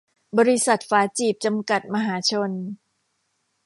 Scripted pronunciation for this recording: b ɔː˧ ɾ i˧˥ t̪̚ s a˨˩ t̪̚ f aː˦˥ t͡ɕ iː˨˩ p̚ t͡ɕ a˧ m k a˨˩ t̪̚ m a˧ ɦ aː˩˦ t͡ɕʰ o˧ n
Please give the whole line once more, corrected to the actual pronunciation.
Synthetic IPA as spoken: b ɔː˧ ɾ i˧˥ s a˨˩ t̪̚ f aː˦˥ t͡ɕ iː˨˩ p̚ t͡ɕ a˧ m k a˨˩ t̪̚ m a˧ ɦ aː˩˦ t͡ɕʰ o˧ n